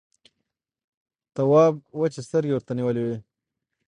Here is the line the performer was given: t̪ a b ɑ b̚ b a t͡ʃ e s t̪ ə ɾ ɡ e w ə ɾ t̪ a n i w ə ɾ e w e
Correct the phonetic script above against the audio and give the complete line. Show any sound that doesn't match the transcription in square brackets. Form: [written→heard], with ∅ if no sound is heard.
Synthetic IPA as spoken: t̪ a [b→w] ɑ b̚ [b→w] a t͡ʃ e s t̪ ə ɾ ɡ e w ə ɾ t̪ a n i w ə [ɾ→l] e w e